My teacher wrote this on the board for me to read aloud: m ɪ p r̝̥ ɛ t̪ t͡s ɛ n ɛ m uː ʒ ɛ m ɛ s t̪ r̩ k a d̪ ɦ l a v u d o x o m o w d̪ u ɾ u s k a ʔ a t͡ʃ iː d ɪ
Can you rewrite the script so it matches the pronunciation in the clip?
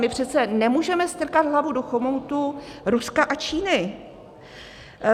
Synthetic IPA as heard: m ɪ p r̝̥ ɛ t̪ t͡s ɛ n ɛ m uː ʒ ɛ m ɛ s t̪ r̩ k a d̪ ɦ l a v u d o x o m o w t̪ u ɾ u s k a ʔ a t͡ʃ iː n ɪ